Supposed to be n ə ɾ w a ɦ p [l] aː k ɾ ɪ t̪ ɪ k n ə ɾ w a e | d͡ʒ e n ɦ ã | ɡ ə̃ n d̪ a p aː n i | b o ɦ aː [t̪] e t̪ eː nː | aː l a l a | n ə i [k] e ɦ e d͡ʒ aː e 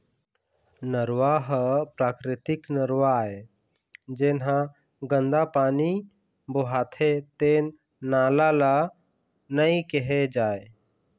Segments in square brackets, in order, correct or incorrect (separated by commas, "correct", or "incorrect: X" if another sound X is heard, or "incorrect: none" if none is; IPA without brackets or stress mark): incorrect: ɾ, incorrect: t̪ʰ, correct